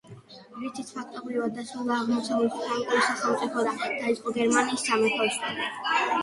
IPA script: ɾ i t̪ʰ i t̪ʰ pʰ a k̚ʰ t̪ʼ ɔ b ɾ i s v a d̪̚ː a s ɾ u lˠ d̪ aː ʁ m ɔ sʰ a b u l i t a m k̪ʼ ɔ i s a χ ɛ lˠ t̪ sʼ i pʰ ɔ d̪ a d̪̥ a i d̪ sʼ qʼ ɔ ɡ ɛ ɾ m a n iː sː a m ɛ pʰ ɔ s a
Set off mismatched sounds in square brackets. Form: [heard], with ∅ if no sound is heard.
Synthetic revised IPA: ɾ i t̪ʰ i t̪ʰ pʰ a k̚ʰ t̪ʼ ɔ b ɾ i [∅] v a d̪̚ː a s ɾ u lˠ d̪ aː ʁ m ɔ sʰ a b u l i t a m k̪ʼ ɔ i s a χ ɛ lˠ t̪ sʼ i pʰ ɔ d̪ a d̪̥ a i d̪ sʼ qʼ ɔ ɡ ɛ ɾ m a n iː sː a m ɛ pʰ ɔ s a